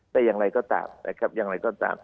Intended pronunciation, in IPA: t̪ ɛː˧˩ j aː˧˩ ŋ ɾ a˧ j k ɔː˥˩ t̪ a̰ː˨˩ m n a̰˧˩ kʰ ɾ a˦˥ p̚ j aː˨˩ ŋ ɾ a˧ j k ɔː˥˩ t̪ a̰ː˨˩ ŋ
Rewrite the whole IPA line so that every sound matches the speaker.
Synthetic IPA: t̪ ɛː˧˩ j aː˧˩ ŋ ɾ a˧ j k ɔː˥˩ t̪ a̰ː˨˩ m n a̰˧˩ kʰ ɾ a˦˥ p̚ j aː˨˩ ŋ ɾ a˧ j k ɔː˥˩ t̪ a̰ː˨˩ m